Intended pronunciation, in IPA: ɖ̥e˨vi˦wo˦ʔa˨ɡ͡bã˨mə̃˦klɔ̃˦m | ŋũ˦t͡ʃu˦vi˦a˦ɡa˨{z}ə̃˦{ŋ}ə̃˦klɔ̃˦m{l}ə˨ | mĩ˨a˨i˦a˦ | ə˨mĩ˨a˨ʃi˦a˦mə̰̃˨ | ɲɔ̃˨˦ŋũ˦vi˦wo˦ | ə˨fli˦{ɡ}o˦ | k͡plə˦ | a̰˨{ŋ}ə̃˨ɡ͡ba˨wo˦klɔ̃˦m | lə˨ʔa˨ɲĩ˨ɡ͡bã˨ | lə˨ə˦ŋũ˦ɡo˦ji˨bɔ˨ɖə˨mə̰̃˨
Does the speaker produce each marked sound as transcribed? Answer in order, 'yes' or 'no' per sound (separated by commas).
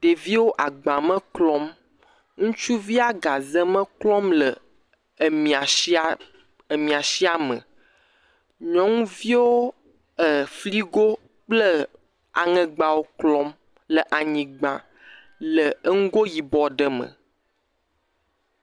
yes, no, yes, yes, yes